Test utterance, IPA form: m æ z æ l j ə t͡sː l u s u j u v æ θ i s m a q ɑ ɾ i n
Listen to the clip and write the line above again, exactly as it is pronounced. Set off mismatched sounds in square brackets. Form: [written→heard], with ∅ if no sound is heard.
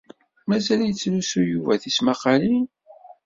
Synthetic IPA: m æ z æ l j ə t͡sː l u s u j u v æ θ i s m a q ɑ [ɾ→l] i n